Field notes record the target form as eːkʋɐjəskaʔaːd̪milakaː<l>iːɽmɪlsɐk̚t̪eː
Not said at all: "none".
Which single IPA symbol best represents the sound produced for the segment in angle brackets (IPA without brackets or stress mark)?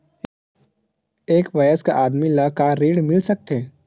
ɾ